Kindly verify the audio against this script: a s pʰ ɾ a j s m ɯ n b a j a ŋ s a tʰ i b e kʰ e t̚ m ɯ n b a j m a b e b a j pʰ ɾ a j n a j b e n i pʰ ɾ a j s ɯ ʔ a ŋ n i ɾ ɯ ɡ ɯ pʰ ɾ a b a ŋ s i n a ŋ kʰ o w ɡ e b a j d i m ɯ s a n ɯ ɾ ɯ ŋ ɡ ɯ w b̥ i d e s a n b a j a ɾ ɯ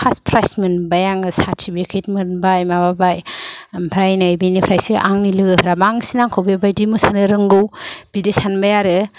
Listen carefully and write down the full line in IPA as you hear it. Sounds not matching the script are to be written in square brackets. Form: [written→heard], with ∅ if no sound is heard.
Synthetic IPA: a s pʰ ɾ a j s m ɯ n b a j a ŋ s a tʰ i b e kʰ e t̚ m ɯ n b a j m a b [e→a] b a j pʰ ɾ a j n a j b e n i pʰ ɾ a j s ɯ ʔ a ŋ n i [ɾ→l] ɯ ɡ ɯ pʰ ɾ a b a ŋ s i n a ŋ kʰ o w [ɡ→b] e b a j d i m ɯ s a n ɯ ɾ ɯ ŋ ɡ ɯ w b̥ i d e s a n b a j a ɾ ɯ